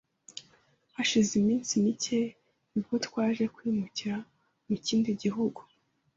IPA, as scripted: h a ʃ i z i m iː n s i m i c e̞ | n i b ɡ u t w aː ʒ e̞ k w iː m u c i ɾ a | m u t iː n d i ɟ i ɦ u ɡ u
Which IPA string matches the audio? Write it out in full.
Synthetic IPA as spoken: h a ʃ i z i m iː n s i m i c e̞ | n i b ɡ o t w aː ʒ e̞ k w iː m u c i ɾ a | m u c iː n d i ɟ i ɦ u ɡ u